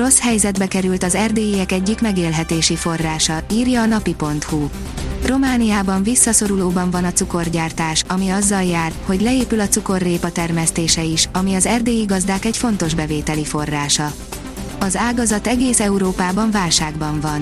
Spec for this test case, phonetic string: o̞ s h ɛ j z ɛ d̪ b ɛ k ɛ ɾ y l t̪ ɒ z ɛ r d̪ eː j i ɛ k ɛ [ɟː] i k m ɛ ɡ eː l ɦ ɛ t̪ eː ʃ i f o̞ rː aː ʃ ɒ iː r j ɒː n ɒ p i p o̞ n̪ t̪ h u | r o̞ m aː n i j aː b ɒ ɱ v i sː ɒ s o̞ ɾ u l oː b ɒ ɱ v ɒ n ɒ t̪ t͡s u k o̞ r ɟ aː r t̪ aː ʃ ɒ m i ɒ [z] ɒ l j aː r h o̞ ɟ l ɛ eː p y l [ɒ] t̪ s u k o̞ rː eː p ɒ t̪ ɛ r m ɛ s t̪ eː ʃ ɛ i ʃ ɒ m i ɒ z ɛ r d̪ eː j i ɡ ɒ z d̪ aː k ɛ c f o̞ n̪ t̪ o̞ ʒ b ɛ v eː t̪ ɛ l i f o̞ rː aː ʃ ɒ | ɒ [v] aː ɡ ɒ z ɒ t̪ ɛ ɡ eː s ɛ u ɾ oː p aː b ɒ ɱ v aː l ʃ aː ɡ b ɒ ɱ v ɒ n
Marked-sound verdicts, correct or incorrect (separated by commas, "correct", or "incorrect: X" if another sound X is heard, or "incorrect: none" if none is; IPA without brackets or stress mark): correct, incorrect: zː, correct, incorrect: z